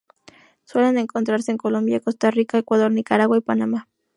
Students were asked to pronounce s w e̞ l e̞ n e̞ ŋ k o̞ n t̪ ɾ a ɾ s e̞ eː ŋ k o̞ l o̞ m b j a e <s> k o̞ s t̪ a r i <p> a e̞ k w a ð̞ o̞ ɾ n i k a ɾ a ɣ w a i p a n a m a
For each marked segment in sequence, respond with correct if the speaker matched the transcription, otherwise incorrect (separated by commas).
incorrect, incorrect